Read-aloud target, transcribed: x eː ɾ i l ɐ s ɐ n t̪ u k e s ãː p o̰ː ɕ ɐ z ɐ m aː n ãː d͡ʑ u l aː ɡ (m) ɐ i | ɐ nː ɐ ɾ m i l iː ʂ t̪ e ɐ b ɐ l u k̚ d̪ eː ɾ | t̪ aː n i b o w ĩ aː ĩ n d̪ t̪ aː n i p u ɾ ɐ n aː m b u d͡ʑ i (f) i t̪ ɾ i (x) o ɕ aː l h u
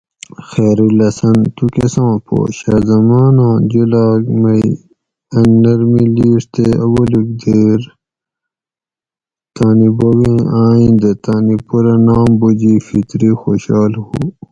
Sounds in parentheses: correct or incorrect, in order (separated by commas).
correct, correct, correct